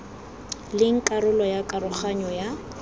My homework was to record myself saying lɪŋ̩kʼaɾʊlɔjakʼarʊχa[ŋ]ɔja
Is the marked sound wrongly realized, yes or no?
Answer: yes